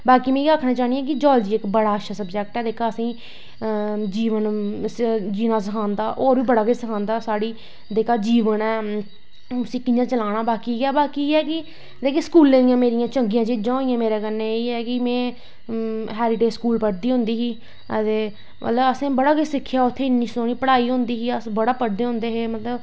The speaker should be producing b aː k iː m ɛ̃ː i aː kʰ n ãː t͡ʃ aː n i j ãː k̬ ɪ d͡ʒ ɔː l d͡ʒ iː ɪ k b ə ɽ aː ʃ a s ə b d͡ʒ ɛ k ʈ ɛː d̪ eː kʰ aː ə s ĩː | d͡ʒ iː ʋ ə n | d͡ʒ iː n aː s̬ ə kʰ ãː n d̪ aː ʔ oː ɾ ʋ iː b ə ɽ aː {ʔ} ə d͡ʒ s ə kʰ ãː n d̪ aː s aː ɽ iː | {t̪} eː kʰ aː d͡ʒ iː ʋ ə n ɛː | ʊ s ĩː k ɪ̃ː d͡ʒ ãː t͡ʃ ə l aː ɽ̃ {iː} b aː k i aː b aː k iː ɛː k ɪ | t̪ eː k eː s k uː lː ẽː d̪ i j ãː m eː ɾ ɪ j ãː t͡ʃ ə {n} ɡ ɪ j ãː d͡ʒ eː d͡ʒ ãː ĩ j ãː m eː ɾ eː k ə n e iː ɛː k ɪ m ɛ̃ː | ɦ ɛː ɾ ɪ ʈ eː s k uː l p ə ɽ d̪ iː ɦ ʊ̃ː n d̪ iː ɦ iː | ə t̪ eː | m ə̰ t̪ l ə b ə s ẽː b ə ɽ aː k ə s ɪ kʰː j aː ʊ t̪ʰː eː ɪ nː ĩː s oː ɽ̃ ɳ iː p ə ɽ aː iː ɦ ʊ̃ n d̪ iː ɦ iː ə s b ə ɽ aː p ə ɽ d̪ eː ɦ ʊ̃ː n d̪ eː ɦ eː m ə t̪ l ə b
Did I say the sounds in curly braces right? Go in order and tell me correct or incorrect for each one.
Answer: incorrect: k, incorrect: d̪, incorrect: aː, incorrect: ŋ

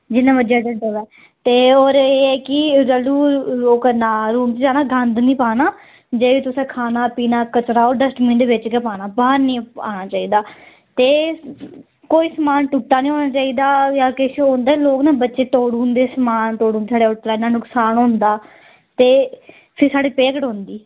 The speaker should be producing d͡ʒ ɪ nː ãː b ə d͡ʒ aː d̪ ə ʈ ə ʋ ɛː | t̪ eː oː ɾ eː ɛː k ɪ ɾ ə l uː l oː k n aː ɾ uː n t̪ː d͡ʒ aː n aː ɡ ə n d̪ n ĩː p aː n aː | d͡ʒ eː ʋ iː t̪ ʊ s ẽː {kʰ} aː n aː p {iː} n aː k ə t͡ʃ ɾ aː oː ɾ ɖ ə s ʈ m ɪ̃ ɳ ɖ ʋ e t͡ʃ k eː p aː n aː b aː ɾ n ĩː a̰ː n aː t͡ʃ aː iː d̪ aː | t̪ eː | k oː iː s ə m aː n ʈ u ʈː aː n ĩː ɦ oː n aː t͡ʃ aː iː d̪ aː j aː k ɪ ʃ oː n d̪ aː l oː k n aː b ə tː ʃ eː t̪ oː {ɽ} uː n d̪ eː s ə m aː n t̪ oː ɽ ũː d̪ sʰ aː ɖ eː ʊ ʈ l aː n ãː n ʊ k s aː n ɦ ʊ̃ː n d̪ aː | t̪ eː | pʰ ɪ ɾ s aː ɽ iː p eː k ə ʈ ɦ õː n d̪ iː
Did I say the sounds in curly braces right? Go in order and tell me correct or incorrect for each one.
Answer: correct, correct, correct

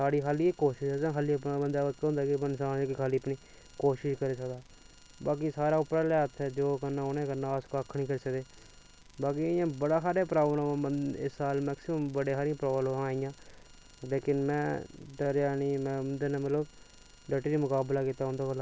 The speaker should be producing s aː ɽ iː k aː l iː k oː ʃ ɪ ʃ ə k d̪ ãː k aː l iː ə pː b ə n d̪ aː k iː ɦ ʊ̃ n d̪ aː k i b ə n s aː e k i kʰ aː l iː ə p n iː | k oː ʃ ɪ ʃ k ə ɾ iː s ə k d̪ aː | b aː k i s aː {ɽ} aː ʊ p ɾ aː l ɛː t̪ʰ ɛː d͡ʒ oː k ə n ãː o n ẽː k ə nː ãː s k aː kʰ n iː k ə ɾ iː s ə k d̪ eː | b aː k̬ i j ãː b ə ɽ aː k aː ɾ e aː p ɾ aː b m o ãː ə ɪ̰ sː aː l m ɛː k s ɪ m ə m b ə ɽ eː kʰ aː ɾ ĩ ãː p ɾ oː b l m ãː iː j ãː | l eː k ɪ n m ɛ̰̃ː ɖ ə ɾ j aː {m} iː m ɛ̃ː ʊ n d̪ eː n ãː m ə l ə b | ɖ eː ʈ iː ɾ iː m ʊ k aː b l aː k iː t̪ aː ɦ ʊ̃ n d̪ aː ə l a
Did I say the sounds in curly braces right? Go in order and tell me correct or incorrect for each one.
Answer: incorrect: ɾ, incorrect: n

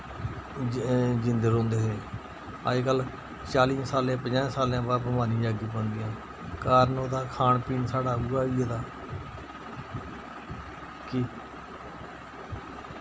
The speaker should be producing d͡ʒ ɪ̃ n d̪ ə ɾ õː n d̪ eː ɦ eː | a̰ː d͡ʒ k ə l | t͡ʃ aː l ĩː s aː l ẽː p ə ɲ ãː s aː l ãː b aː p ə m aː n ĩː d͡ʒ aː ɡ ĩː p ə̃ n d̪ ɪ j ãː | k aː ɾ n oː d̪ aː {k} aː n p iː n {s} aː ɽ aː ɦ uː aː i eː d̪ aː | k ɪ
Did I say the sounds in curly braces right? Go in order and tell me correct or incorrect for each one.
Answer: incorrect: kʰ, correct

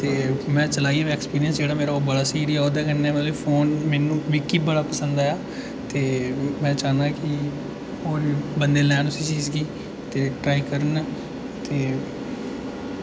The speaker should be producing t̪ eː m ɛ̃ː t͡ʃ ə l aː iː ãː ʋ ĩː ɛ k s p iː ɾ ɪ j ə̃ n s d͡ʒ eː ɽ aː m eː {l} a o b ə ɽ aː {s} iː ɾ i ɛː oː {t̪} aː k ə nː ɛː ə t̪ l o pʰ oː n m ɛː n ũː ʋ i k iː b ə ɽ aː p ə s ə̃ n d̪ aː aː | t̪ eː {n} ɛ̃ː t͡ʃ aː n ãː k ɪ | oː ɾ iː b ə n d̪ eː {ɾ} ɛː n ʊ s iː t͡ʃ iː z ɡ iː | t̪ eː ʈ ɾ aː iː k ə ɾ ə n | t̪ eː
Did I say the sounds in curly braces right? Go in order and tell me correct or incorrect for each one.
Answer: incorrect: ɾ, correct, incorrect: d̪, incorrect: m, incorrect: l

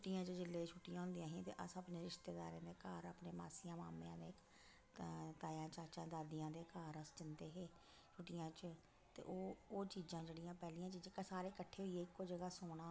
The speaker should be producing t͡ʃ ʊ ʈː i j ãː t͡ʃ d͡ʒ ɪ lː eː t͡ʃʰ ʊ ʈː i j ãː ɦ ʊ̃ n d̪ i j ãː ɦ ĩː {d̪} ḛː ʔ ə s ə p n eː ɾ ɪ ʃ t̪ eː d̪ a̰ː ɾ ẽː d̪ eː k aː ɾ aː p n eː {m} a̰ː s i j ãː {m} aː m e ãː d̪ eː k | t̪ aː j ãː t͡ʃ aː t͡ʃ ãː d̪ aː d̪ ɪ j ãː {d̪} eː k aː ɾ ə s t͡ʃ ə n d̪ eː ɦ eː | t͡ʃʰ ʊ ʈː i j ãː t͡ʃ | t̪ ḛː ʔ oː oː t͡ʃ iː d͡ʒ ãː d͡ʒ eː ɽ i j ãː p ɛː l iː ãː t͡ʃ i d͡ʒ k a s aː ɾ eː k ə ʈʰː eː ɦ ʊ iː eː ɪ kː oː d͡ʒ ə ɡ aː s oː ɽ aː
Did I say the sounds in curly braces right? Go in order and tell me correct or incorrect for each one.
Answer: incorrect: t̪, correct, correct, correct

